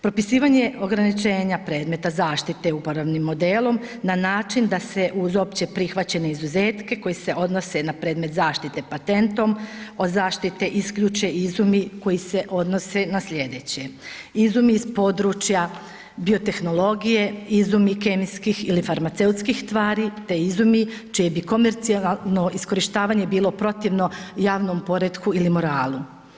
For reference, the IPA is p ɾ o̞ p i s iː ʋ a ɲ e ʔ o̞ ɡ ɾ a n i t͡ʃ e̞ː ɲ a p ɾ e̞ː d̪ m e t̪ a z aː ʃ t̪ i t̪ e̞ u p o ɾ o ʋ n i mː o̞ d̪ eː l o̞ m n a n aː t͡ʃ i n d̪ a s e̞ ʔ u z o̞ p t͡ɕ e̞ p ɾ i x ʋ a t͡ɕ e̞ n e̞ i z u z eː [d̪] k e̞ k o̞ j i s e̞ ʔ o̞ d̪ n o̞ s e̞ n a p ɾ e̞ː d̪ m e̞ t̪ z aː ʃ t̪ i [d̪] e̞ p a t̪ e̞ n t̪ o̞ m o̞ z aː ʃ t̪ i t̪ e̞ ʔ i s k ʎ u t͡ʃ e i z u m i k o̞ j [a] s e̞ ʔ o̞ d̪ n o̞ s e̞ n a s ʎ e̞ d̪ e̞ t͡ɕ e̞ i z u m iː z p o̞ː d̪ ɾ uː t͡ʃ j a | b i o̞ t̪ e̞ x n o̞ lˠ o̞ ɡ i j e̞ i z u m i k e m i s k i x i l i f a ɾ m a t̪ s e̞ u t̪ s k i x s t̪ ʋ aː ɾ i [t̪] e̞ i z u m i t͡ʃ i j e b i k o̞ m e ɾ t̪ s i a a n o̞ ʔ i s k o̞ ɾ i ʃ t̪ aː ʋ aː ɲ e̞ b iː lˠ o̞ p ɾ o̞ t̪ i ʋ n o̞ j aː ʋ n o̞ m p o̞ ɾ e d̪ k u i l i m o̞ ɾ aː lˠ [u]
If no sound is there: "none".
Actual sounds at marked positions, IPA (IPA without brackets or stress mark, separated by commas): t̪, t̪, i, t̪, u